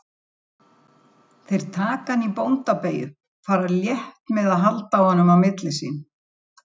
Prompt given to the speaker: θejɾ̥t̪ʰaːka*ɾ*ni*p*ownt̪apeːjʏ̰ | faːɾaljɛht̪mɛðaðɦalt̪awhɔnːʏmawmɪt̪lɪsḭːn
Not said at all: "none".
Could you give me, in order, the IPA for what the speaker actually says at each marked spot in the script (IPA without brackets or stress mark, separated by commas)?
none, p